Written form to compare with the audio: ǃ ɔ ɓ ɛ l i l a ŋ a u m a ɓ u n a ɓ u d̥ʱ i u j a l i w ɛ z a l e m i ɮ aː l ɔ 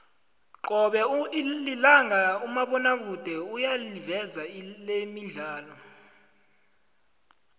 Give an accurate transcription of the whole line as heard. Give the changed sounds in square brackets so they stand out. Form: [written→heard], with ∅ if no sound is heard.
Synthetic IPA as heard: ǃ ɔ ɓ ɛ l i l a ŋ a u m a ɓ [u→ɔ] n a ɓ u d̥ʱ [i→ɛ] u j a l i [w→v] ɛ z a l e m i ɮ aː l ɔ